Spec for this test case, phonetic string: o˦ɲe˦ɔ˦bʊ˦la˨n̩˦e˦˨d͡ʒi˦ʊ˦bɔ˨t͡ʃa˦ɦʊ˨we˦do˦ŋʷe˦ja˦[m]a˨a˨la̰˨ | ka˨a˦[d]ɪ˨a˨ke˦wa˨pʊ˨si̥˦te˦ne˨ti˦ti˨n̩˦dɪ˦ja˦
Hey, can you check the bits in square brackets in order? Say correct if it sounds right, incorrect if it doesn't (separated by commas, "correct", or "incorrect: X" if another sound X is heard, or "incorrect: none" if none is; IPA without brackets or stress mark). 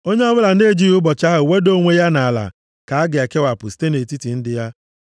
incorrect: n, incorrect: ɡ